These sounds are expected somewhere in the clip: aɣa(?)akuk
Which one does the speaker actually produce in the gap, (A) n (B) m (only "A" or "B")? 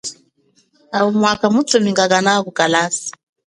A